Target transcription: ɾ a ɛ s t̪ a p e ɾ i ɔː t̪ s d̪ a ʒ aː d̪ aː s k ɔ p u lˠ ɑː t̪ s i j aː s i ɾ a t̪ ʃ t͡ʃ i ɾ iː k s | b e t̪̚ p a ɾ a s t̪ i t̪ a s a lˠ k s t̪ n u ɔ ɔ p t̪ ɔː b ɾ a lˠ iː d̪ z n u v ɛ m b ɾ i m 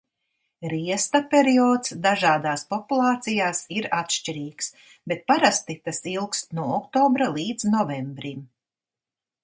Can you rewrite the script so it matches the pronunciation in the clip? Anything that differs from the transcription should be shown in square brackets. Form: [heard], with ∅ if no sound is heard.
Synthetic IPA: ɾ [i] ɛ s t̪ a p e ɾ i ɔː t̪ s d̪ a ʒ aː d̪ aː s [p] ɔ p u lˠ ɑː t̪ s i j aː s i ɾ a t̪ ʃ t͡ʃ i ɾ iː k s | b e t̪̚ p a ɾ a s t̪ i t̪ a s [i] lˠ k s t̪ n u ɔ ɔ [k] t̪ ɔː b ɾ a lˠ iː d̪ z n [ɔ] v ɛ m b ɾ i m